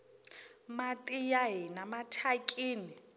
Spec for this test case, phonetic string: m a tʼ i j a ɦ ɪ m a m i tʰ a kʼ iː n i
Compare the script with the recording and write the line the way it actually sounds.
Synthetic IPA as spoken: m a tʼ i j a ɦ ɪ n a m a tʰ a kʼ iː n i